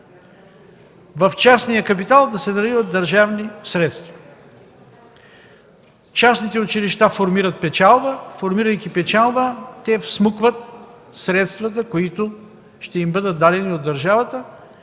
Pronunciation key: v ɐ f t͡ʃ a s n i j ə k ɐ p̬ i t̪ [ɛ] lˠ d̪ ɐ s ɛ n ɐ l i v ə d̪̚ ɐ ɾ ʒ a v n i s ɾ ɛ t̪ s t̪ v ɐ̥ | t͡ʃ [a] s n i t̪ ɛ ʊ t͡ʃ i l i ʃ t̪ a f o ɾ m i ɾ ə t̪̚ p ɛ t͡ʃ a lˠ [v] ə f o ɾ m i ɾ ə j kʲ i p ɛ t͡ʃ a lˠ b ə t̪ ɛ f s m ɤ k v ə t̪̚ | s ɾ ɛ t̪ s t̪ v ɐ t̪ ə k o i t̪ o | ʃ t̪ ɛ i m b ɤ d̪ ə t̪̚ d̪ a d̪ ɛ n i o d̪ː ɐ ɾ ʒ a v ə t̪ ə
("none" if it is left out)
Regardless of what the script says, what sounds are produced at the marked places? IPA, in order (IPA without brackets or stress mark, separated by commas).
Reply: a, a, b